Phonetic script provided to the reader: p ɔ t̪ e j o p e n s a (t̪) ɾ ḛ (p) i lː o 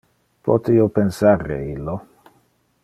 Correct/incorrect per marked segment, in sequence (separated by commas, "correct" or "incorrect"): incorrect, incorrect